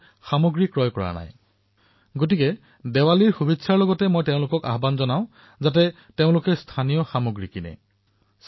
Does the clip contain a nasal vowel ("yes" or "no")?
yes